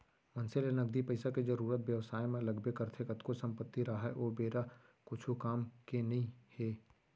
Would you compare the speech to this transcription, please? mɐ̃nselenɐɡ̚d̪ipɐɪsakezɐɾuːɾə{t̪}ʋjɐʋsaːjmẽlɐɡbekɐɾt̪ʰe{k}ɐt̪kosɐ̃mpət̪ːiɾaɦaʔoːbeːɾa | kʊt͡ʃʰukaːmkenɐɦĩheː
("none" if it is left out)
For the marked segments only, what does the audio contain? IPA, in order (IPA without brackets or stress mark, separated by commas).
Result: t̪, k